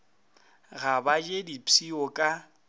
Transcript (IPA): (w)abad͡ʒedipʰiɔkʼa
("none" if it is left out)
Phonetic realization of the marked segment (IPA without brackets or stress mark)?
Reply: ɣ